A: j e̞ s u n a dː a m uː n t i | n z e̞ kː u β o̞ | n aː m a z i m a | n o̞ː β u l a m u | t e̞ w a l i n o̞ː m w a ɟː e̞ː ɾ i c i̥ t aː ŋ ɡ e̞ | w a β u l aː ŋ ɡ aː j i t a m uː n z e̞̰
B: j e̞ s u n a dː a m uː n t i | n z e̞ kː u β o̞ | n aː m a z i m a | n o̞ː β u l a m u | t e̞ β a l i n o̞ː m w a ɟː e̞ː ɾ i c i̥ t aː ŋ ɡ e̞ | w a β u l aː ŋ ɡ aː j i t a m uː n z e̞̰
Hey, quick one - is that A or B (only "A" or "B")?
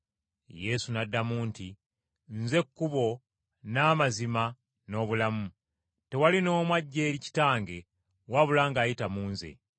A